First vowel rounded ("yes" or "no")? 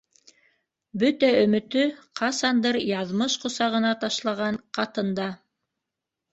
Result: yes